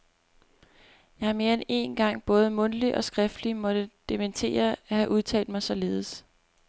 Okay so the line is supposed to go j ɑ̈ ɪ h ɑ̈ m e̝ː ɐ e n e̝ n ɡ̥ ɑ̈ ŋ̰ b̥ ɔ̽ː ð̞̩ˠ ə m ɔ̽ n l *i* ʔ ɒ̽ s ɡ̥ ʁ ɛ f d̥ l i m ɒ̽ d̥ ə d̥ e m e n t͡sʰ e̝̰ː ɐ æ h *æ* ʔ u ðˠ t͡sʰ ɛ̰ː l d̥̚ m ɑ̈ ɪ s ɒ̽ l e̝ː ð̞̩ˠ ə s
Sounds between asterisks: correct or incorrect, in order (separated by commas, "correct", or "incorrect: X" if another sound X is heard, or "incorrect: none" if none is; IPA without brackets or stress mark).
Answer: correct, correct